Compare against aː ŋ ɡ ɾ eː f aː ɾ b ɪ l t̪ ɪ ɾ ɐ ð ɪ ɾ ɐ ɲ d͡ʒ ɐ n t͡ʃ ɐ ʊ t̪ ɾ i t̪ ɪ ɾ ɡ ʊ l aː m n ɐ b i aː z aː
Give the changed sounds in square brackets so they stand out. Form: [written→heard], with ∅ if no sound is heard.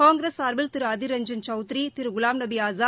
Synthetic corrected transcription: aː ŋ ɡ ɾ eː [f→s] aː ɾ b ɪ l t̪ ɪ ɾ ɐ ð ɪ ɾ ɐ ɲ d͡ʒ ɐ n t͡ʃ ɐ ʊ t̪ ɾ i t̪ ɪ ɾ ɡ ʊ l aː m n ɐ b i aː z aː